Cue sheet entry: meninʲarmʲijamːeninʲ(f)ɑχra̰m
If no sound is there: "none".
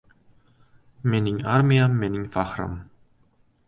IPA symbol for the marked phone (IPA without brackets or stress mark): f